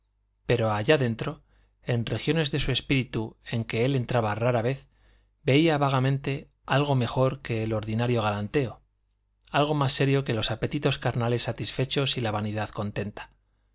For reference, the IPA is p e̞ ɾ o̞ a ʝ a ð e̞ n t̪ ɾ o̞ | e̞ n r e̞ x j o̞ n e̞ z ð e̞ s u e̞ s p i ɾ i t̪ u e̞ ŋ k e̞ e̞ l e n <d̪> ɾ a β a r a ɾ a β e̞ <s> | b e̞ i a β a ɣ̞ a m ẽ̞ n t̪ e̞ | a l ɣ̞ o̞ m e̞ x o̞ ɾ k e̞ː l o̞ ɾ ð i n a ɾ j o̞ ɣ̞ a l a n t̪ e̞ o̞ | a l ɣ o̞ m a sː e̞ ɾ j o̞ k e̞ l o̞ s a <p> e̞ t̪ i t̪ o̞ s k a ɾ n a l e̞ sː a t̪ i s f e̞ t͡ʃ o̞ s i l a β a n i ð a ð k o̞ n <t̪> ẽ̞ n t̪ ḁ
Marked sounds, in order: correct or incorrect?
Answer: incorrect: t̪, incorrect: θ, correct, correct

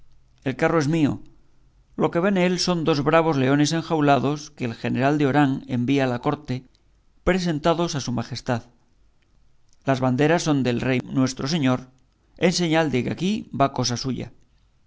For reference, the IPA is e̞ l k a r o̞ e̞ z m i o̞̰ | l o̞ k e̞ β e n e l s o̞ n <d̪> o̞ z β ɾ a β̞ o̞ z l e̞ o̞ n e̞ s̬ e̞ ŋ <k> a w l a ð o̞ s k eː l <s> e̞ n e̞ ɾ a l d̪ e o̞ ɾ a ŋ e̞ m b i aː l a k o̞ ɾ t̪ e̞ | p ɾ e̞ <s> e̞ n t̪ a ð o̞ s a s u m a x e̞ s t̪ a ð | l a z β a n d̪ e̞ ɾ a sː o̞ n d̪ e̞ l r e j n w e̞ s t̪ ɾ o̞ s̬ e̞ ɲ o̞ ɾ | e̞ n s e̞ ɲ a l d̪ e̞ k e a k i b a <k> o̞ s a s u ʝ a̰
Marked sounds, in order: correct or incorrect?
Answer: correct, incorrect: x, incorrect: x, correct, correct

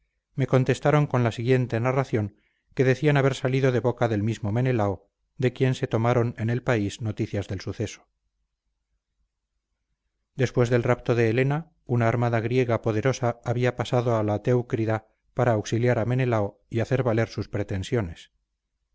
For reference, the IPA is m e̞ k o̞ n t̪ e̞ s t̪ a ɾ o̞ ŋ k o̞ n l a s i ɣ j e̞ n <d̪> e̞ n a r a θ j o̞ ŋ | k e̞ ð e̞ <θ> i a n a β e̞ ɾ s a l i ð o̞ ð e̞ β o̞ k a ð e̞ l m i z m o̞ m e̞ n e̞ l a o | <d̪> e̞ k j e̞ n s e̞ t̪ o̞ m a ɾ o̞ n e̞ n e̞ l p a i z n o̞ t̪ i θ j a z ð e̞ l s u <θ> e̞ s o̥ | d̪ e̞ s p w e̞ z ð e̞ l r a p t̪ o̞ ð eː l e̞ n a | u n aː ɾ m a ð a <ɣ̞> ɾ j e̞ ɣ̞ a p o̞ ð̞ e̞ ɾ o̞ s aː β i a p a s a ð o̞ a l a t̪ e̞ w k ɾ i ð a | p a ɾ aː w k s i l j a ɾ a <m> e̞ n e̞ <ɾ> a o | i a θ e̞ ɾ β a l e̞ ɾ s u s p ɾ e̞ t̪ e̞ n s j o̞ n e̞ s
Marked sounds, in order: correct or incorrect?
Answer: incorrect: t̪, correct, correct, correct, correct, correct, incorrect: l

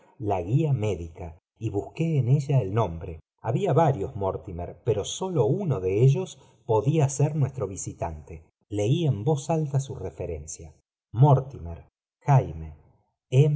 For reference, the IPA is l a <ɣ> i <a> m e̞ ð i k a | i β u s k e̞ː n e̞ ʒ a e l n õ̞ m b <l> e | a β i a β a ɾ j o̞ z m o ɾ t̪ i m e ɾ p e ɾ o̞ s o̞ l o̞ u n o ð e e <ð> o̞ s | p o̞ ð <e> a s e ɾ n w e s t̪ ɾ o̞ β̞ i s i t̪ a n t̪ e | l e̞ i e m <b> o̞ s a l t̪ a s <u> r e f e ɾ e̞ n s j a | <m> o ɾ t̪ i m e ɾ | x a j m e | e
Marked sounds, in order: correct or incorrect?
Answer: correct, correct, incorrect: ɾ, incorrect: ʒ, incorrect: i, correct, correct, correct

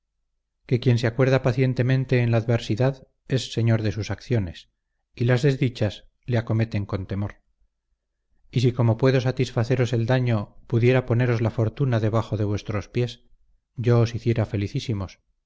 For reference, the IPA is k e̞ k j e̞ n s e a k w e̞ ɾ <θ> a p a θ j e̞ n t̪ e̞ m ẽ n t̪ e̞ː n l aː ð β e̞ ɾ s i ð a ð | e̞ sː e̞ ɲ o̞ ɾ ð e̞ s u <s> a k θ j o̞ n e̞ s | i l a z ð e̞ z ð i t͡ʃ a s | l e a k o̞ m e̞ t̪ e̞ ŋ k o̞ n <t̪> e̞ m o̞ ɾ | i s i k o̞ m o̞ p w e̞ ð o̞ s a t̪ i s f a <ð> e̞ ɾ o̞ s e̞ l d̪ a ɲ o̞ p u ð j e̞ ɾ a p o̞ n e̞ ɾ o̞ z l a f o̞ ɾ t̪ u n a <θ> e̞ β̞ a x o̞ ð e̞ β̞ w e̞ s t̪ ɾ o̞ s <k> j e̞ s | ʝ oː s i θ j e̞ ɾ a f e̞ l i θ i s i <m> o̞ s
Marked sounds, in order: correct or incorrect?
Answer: incorrect: ð, correct, correct, incorrect: θ, incorrect: ð, incorrect: p, correct

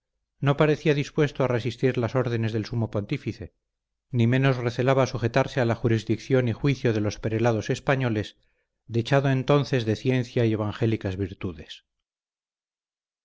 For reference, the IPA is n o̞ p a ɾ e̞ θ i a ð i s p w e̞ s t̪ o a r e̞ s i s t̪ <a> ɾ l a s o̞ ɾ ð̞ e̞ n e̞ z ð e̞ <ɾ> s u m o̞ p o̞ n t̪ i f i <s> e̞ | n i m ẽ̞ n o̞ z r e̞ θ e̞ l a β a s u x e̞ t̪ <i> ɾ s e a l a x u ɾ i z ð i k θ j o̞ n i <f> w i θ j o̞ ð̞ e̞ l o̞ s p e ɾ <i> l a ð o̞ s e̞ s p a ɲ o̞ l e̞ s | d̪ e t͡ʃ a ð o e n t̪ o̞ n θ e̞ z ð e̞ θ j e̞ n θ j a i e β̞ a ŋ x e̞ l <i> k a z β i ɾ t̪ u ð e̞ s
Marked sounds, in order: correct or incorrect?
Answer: incorrect: i, incorrect: l, incorrect: θ, incorrect: a, incorrect: x, incorrect: e, correct

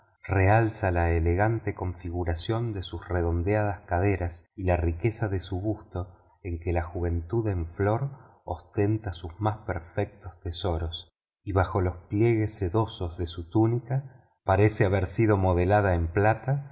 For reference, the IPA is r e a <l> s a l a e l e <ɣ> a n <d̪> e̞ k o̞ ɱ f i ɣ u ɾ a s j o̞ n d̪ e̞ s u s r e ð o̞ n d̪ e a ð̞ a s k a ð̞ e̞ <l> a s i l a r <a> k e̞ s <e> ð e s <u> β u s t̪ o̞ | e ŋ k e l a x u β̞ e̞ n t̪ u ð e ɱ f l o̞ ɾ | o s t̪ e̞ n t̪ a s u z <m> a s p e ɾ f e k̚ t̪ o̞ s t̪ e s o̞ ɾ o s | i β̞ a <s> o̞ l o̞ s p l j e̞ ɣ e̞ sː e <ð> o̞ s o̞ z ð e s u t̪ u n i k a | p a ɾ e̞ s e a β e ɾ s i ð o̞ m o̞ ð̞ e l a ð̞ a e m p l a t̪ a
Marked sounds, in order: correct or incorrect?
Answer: correct, correct, incorrect: t̪, incorrect: ɾ, incorrect: i, incorrect: a, correct, correct, incorrect: x, correct

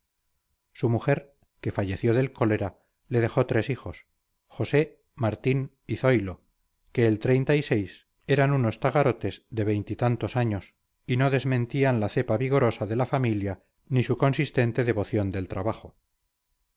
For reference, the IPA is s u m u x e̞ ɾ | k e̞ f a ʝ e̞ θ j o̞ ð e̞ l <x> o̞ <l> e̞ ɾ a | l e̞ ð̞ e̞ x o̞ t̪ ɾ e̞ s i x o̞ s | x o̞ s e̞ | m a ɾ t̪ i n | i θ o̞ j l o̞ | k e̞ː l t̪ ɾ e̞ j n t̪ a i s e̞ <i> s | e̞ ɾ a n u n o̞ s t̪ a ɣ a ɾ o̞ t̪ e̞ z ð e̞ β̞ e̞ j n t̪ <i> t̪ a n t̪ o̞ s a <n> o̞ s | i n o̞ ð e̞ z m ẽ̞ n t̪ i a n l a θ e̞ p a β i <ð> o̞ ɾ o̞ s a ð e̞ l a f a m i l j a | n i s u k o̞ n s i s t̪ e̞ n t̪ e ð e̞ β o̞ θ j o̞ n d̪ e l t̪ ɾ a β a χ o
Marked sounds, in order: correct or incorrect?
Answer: incorrect: k, correct, incorrect: j, correct, incorrect: ɲ, incorrect: ɣ

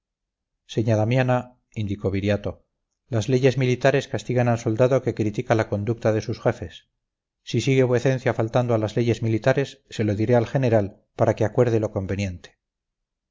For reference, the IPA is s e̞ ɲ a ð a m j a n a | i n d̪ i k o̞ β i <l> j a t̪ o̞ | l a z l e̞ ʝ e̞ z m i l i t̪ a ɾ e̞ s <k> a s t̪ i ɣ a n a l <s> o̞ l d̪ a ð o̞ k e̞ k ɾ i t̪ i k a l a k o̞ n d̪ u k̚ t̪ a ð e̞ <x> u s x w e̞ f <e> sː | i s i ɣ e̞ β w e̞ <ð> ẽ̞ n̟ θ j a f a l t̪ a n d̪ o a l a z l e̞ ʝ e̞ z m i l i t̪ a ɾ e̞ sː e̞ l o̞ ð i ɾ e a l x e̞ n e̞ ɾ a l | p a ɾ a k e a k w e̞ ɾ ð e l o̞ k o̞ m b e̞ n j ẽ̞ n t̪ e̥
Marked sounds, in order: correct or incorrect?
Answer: incorrect: ɾ, correct, correct, incorrect: s, correct, incorrect: θ

